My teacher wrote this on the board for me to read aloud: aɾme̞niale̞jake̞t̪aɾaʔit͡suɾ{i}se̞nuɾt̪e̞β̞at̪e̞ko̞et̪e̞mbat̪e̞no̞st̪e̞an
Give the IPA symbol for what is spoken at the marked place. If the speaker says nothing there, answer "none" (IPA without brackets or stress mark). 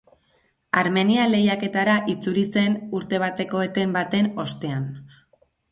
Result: i